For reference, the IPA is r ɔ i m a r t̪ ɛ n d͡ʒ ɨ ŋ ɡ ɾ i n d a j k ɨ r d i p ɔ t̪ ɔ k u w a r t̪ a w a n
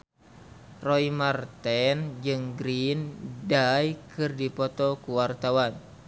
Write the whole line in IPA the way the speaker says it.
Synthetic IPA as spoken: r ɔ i m a r t̪ ɛ n d͡ʒ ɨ ŋ ɡ ɾ i n d a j k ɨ r d i p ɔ t̪ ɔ k u w a r t̪ a w a n